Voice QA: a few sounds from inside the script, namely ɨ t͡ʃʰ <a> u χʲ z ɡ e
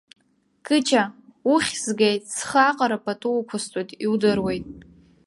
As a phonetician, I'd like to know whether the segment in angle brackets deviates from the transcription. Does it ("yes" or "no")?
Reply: no